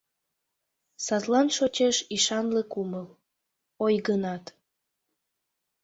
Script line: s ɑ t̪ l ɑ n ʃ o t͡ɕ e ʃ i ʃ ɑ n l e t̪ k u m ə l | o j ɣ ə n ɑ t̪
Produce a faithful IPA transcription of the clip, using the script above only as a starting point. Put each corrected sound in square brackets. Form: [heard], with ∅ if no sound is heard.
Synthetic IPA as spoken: s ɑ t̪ l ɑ n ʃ o t͡ɕ e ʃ i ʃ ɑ n l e [∅] k u m ə l | o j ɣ ə n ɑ t̪